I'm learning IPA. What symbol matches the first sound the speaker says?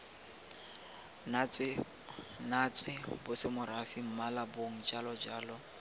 n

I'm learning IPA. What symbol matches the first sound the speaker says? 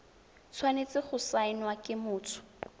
t͡sʰ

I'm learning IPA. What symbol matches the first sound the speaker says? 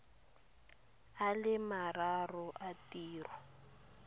a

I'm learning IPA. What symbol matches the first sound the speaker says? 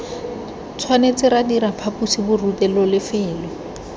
t͡sʰ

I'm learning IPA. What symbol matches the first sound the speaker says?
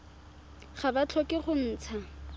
χ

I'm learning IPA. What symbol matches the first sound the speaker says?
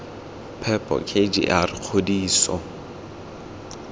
pʰ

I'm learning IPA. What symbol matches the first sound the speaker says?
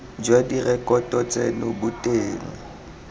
d͡ʒ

